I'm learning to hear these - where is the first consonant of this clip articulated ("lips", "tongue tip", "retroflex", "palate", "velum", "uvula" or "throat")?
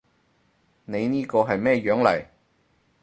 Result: tongue tip